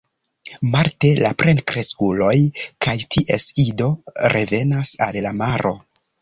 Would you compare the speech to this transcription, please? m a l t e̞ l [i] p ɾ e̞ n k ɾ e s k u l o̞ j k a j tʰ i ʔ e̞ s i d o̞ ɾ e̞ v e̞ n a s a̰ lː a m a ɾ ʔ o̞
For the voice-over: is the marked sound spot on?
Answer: no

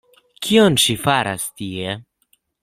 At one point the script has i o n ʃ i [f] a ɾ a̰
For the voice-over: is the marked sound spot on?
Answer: yes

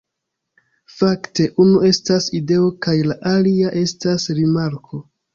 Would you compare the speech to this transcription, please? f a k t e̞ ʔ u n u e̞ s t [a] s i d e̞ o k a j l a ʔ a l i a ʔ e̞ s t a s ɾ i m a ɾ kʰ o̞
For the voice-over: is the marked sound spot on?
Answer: yes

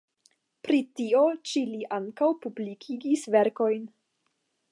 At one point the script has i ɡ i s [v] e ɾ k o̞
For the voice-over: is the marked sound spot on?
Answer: yes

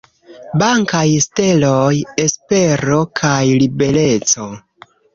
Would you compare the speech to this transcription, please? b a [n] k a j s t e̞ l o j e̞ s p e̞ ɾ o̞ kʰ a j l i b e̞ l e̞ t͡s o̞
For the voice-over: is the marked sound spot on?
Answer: no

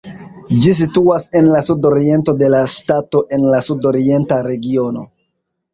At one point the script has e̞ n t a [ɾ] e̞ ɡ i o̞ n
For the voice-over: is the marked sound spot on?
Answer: yes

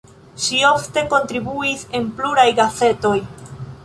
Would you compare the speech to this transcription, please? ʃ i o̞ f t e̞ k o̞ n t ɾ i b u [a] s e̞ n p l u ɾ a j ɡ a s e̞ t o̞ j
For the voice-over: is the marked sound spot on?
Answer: no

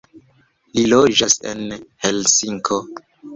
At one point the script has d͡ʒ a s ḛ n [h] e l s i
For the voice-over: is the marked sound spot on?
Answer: yes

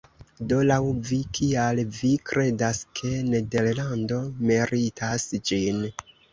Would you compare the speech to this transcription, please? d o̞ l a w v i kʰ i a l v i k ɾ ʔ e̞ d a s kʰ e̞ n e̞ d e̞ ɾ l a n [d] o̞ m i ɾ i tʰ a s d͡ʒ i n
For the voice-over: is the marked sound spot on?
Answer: yes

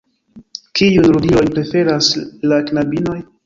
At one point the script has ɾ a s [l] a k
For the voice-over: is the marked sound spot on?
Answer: yes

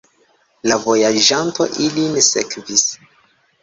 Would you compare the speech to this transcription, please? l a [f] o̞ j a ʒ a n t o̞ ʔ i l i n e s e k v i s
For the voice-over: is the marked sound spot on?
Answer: no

